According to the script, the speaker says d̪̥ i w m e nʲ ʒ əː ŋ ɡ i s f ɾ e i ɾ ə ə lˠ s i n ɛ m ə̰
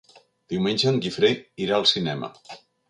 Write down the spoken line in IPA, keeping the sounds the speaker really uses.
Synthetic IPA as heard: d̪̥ i w m e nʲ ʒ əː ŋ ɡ i f ɾ e i ɾ a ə lˠ s i n ɛ m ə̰